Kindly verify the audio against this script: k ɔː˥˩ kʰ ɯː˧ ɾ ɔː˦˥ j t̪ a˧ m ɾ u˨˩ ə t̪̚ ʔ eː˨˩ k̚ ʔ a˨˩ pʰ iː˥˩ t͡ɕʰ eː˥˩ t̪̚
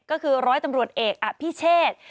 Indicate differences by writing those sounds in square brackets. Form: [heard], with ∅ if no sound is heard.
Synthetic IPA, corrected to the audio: k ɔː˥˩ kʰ ɯː˧ ɾ ɔː˦˥ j t̪ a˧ m ɾ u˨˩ ə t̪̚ ʔ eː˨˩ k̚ ʔ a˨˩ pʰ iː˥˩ t͡ɕʰ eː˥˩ t̪̚